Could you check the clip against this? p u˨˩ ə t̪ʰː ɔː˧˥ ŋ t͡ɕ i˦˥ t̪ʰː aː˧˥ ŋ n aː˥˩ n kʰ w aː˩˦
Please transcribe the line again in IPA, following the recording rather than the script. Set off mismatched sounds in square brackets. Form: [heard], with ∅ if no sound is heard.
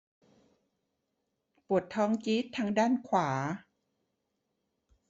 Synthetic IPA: p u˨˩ ə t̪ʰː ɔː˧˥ ŋ t͡ɕ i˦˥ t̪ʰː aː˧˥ ŋ [d] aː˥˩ n kʰ w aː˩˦

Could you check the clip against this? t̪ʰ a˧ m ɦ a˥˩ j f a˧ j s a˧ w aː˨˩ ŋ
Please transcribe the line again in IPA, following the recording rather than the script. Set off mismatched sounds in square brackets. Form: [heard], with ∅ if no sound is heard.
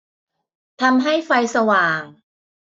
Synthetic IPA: t̪ʰ a˧ m ɦ a˥˩ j f a˧ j s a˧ w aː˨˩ ŋ

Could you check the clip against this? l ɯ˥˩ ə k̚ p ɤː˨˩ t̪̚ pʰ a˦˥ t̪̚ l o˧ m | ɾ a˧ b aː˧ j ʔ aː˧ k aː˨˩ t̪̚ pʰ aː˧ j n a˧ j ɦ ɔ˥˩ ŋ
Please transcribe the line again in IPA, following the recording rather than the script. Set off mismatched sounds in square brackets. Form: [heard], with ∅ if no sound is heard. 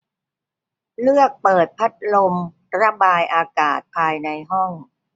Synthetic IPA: l ɯ˥˩ ə k̚ p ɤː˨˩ t̪̚ pʰ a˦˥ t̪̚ l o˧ m | ɾ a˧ b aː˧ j ʔ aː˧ k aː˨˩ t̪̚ pʰ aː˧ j n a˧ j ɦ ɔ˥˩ ŋ

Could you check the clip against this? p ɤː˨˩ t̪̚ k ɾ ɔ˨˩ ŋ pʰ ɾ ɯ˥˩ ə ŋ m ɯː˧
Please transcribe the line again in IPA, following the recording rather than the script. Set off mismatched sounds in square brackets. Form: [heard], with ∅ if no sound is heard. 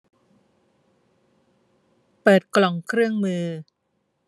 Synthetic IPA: p ɤː˨˩ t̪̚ k [l] ɔ˨˩ ŋ [kʰ] ɾ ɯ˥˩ ə ŋ m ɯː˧

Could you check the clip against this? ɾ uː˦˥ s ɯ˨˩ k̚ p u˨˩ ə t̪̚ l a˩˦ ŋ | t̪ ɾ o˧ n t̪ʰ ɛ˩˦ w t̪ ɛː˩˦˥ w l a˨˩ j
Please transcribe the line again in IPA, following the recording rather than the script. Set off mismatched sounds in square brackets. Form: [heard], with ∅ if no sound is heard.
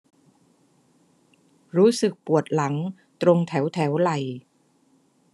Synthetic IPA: ɾ uː˦˥ s ɯ˨˩ k̚ p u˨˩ ə t̪̚ l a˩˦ ŋ | t̪ ɾ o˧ [ŋ] t̪ʰ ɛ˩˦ w [t̪ʰ] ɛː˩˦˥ w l a˨˩ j

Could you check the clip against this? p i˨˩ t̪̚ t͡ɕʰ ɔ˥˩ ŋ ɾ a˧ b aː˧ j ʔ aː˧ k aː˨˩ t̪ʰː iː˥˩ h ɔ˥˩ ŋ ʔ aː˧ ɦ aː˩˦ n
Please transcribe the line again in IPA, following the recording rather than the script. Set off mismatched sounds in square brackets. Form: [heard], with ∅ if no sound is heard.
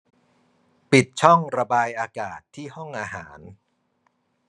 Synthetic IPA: p i˨˩ t̪̚ t͡ɕʰ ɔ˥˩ ŋ ɾ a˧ b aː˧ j ʔ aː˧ k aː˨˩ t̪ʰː iː˥˩ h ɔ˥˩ ŋ ʔ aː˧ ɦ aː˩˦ n

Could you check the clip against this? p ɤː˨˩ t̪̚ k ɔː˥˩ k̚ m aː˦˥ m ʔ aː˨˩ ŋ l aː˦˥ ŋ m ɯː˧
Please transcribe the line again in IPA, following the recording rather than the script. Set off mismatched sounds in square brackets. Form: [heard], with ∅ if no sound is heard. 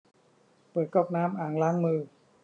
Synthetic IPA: p ɤː˨˩ t̪̚ k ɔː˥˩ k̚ [n] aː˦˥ m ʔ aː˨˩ ŋ l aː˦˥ ŋ m ɯː˧

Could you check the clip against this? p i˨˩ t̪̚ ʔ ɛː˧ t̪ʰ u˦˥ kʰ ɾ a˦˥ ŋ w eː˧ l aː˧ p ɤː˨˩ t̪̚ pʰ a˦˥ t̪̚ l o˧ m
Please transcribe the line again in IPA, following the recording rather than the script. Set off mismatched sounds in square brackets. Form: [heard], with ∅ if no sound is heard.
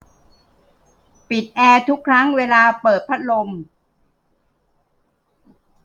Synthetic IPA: p i˨˩ t̪̚ ʔ ɛː˧ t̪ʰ u˦˥ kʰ ɾ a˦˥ ŋ w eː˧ l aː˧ p ɤː˨˩ t̪̚ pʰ a˦˥ t̪̚ l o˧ m

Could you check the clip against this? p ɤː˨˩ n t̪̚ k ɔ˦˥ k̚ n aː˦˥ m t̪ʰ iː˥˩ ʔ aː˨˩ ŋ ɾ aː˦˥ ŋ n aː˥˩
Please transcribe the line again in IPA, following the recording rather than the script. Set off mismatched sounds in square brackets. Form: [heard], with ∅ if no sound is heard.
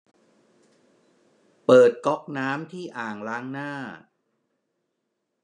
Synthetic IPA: p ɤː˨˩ [∅] t̪̚ k ɔ˦˥ k̚ n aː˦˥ m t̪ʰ iː˥˩ ʔ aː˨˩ ŋ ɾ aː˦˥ ŋ n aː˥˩

